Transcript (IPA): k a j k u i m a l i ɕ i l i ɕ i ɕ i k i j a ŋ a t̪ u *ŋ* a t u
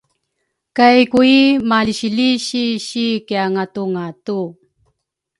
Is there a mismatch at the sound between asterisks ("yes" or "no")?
no